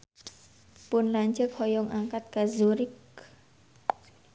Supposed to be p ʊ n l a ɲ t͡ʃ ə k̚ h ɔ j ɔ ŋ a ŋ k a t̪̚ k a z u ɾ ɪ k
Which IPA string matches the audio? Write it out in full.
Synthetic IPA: p ʊ n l a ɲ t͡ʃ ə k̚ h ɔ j ɔ ŋ a ŋ k a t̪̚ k a z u ɾ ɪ k